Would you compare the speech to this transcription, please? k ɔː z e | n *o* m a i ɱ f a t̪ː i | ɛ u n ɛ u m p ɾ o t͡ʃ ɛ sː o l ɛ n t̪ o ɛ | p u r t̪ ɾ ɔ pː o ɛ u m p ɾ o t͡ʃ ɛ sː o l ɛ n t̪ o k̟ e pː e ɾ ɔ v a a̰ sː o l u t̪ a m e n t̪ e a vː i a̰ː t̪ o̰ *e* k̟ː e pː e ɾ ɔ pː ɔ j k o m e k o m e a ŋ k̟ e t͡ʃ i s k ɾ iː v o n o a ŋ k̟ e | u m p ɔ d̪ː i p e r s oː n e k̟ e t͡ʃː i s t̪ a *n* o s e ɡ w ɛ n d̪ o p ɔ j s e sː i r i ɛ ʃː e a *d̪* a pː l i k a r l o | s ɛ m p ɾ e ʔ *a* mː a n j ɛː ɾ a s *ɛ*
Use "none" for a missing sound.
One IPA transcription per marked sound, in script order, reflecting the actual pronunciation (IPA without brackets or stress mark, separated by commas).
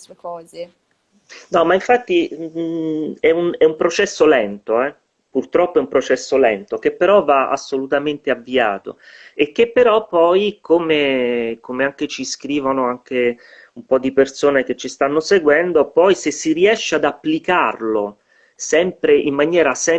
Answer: ɔ, e, nː, d̪, i, ɛ